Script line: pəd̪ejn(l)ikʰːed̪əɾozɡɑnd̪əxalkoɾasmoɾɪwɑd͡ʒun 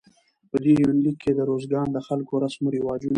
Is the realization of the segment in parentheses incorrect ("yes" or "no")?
no